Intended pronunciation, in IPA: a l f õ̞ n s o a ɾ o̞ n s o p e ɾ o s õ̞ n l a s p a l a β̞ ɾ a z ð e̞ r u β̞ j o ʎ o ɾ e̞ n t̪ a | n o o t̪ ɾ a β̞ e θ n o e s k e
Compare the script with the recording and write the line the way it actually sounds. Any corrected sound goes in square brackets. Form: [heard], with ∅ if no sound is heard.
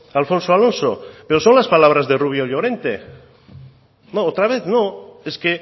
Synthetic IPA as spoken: a l f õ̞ n s o a [l] o̞ n s o p e ɾ o s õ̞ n l a s p a l a β̞ ɾ a z ð e̞ r u β̞ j o ʎ o ɾ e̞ n t̪ [e] | n o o t̪ ɾ a β̞ e θ n o e s k e

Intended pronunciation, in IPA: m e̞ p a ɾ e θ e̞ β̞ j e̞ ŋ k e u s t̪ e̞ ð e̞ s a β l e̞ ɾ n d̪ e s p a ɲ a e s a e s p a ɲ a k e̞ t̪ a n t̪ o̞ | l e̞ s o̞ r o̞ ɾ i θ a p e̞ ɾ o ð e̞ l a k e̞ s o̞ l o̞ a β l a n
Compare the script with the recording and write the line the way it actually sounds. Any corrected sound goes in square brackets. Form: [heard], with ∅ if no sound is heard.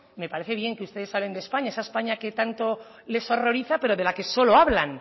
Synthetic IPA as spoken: m e̞ p a ɾ e θ e̞ β̞ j e̞ ŋ k e u s t̪ e̞ ð e̞ s a β l e̞ [∅] n d̪ e s p a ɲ a e s a e s p a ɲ a k e̞ t̪ a n t̪ o̞ | l e̞ s o̞ r o̞ ɾ i θ a p e̞ ɾ o ð e̞ l a k e̞ s o̞ l o̞ a β l a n

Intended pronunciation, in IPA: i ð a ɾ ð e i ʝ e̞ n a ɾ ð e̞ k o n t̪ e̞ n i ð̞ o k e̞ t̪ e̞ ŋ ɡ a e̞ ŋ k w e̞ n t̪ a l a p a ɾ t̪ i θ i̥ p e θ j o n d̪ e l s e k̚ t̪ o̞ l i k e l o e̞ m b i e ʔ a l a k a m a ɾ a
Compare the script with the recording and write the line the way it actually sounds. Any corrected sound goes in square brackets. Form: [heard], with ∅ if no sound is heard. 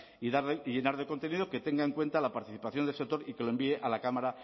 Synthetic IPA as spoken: i ð a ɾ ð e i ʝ e̞ n a ɾ ð e̞ k o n t̪ e̞ n i ð̞ o k e̞ t̪ e̞ ŋ ɡ a e̞ ŋ k w e̞ n t̪ a l a p a ɾ t̪ i θ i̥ p [a] θ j o n d̪ e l s e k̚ t̪ o̞ [ɾ] i k e l o e̞ m b i e ʔ a l a k a m a ɾ a

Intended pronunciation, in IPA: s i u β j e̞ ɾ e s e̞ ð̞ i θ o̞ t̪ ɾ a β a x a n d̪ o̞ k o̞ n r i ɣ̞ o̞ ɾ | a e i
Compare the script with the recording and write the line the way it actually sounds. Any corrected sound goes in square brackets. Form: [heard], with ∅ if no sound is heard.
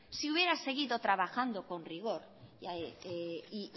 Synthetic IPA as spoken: s i u β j e̞ ɾ [a] s e̞ [ɣ̞] i [ð] o̞ t̪ ɾ a β a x a n d̪ o̞ k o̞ n r i ɣ̞ o̞ ɾ | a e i

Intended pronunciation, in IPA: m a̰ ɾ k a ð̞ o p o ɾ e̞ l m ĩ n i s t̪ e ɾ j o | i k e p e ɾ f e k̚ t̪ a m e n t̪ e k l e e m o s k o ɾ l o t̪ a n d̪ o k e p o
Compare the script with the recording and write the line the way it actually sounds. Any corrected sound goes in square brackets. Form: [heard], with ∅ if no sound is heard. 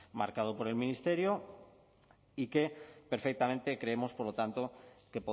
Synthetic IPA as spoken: m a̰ ɾ k a ð̞ o p o ɾ e̞ l m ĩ n i s t̪ e ɾ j o | i k e p e ɾ f e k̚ t̪ a m e n t̪ e k [ɾ] e e m o s [p] o ɾ l o t̪ a n [t̪] o k e p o

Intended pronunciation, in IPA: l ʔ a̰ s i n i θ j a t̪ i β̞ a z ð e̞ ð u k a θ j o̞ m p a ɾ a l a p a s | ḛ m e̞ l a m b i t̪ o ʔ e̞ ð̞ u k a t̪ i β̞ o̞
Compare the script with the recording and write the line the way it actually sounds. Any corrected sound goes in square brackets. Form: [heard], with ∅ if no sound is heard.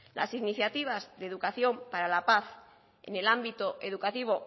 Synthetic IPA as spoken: l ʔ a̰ s i n i θ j a t̪ i β̞ a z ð e̞ ð u k a θ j o̞ m p a ɾ a l a p a [θ] | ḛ [n] e̞ l a m b i t̪ o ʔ e̞ ð̞ u k a t̪ i β̞ o̞

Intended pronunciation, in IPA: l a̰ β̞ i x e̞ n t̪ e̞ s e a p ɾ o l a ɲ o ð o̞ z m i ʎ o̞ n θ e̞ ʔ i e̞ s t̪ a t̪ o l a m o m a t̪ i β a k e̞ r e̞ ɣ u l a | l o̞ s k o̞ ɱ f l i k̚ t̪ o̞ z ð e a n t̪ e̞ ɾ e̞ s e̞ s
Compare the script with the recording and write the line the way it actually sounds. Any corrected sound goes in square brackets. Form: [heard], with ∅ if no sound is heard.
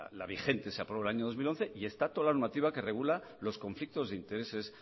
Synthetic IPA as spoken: l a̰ β̞ i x e̞ n t̪ e̞ s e a p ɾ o l a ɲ o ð o̞ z m i [l] o̞ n θ e̞ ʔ i e̞ s t̪ a t̪ o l a [n] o m a t̪ i β a k e̞ r e̞ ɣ u l a | l o̞ s k o̞ ɱ f l i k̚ t̪ o̞ z ð e [i] n t̪ e̞ ɾ e̞ s e̞ s

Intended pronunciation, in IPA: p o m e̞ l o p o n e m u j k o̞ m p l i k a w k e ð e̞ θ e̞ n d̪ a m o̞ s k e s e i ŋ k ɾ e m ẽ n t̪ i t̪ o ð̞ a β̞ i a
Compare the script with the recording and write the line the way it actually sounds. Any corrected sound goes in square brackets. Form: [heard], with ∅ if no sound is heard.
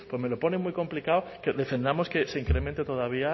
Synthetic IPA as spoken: p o m e̞ l o p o n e m u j k o̞ m p l i k a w k e ð e̞ [f] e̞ n d̪ a m o̞ s k e s e i ŋ k ɾ e m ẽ n t̪ [e] t̪ o ð̞ a β̞ i a

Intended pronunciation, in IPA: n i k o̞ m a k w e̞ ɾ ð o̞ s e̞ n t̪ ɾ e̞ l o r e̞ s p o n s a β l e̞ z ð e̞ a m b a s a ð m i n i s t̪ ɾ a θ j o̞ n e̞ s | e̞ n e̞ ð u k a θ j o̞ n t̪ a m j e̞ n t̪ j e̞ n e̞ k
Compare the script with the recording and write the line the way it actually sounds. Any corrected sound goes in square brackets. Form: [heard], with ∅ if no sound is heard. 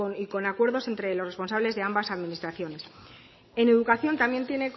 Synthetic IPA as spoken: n i k o̞ [n] a k w e̞ ɾ ð o̞ s e̞ n t̪ ɾ e̞ l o r e̞ s p o n s a β l e̞ z ð e̞ a m b a s a ð m i n i s t̪ ɾ a θ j o̞ n e̞ s | e̞ n e̞ ð u k a θ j o̞ n t̪ a m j e̞ n t̪ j e̞ n e̞ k

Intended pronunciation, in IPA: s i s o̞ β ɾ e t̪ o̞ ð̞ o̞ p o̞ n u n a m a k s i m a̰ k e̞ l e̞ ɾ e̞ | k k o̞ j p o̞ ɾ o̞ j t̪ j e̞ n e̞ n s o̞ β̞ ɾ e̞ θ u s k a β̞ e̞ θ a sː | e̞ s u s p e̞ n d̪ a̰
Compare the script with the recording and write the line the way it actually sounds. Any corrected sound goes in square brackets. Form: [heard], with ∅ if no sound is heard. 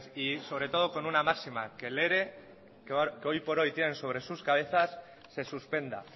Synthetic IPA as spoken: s i s o̞ β ɾ e t̪ o̞ ð̞ o̞ [k] o̞ n u n a m a k s i m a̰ k e̞ l e̞ ɾ e̞ | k k o̞ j p o̞ ɾ o̞ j t̪ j e̞ n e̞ n s o̞ β̞ ɾ e̞ [s] u s k a β̞ e̞ θ a sː | e̞ s u s p e̞ n d̪ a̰

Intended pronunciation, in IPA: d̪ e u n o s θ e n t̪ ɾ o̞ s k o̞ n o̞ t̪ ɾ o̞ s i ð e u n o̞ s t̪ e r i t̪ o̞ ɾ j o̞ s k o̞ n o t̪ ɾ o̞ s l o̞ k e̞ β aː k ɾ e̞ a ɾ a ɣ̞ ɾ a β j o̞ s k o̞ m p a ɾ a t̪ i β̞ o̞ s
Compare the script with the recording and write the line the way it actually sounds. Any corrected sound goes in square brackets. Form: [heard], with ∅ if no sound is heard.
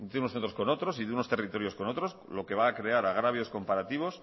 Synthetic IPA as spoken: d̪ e u n o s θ e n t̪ ɾ o̞ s k o̞ n o̞ t̪ ɾ o̞ s i ð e u n o̞ s t̪ e r i t̪ o̞ ɾ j o̞ s k o̞ n o t̪ ɾ o̞ s l o̞ k e̞ β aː k ɾ e̞ a ɾ a ɣ̞ ɾ a β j o̞ s k o̞ m p a ɾ a t̪ i β̞ o̞ s

